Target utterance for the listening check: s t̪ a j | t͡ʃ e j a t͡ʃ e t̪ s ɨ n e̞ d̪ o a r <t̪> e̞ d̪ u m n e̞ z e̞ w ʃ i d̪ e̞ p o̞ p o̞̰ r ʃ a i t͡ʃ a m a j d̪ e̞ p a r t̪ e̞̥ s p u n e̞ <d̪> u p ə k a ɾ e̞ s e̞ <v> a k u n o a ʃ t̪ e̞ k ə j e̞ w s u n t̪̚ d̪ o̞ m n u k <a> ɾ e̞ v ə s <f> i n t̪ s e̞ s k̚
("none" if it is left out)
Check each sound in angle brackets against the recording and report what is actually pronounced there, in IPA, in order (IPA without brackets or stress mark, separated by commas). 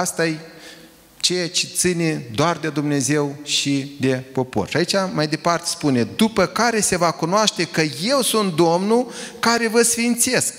d̪, d̪, v, a, f